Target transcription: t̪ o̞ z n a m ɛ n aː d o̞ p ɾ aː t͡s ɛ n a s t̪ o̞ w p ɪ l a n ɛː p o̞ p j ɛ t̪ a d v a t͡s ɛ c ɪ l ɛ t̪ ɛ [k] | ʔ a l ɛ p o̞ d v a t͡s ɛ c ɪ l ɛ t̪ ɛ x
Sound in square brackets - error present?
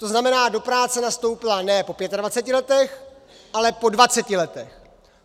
yes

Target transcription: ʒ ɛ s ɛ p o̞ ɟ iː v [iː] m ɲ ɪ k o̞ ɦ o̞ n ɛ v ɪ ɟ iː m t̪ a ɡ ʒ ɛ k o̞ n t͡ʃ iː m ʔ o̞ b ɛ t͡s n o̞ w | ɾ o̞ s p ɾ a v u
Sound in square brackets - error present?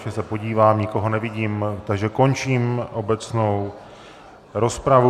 yes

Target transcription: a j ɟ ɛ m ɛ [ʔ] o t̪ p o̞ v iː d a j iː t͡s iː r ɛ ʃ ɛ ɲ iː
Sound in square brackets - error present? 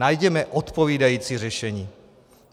no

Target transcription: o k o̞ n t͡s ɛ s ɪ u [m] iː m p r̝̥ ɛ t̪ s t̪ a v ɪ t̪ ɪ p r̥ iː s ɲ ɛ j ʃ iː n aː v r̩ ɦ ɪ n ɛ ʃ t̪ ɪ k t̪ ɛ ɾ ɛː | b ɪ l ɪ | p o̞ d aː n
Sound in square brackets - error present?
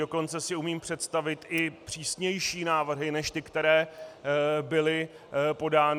no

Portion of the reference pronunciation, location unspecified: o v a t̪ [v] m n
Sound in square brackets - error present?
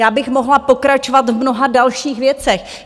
no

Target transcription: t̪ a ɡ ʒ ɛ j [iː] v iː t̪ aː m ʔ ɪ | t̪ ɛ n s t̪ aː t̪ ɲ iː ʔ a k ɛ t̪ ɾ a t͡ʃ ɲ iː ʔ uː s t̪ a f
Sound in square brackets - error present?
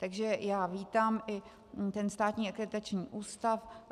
yes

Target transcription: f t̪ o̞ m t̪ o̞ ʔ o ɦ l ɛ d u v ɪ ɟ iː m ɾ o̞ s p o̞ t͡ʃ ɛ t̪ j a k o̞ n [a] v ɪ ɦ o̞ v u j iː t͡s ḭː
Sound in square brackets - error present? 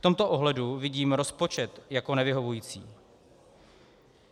yes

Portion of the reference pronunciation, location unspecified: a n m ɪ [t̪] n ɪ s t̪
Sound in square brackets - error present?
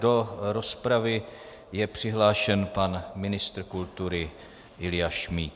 yes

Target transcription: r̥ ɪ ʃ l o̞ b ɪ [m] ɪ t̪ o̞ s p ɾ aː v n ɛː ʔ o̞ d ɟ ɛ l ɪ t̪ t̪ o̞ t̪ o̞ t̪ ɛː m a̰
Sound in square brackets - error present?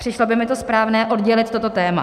no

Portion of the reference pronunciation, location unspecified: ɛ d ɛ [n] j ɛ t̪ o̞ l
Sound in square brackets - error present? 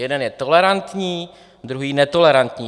no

